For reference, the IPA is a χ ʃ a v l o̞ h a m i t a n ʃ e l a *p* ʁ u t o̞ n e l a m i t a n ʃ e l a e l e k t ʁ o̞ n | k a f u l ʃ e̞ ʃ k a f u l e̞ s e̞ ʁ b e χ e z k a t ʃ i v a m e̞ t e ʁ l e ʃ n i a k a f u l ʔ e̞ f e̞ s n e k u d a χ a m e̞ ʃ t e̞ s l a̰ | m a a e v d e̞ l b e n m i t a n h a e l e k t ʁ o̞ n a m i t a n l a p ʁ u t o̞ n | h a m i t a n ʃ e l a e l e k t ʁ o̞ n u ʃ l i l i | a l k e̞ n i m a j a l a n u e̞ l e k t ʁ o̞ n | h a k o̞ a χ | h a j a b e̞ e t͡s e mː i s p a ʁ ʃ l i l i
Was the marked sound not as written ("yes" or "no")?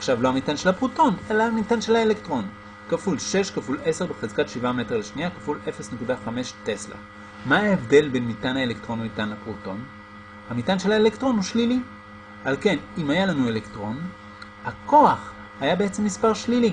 no